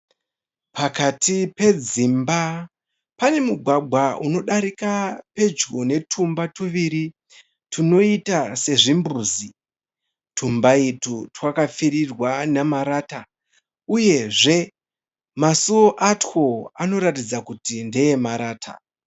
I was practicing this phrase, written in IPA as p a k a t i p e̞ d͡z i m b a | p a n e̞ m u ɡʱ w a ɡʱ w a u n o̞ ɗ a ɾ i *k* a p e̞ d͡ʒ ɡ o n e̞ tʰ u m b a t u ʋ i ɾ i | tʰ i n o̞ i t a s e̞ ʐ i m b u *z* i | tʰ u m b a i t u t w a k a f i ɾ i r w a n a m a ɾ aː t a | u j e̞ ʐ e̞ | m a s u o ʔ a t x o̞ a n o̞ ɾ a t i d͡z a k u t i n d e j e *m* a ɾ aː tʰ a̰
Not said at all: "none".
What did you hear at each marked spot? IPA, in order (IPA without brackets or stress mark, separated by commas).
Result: k, z, m